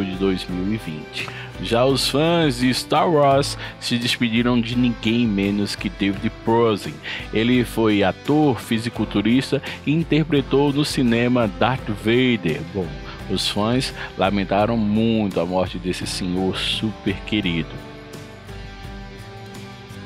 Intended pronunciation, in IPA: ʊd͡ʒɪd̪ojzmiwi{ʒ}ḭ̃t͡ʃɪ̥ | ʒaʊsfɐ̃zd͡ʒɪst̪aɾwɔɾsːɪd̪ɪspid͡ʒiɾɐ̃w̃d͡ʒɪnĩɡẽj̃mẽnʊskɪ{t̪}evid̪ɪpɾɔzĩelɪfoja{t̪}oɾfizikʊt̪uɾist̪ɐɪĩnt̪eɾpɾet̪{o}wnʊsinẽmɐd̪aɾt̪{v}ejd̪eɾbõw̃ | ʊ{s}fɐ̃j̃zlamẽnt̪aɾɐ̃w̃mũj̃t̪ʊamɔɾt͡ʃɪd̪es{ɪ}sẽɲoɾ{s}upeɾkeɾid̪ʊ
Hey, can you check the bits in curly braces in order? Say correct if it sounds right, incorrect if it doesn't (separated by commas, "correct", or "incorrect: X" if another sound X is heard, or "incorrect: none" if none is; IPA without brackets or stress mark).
incorrect: v, incorrect: d̪, correct, correct, correct, correct, correct, correct